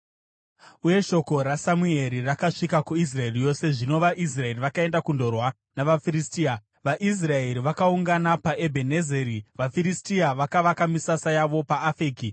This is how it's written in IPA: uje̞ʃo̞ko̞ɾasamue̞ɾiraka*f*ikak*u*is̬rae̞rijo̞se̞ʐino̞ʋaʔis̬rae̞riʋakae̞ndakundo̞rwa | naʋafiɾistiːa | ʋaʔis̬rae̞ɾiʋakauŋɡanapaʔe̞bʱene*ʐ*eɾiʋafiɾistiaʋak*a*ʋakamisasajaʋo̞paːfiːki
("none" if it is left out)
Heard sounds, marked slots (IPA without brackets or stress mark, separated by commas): ʂ, u, z, a